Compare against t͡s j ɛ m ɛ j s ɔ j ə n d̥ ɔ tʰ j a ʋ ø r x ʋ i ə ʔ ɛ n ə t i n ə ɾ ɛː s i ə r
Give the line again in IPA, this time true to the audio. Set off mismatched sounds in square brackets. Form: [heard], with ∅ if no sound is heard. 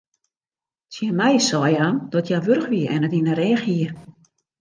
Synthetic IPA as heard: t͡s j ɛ m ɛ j s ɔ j [a] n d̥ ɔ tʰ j a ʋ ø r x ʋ i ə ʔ ɛ n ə t i n ə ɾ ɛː [x] i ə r